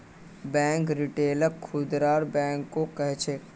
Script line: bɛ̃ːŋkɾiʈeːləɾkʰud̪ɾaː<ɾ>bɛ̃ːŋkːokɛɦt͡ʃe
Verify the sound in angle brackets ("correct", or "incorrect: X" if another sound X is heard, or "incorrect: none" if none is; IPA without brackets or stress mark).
correct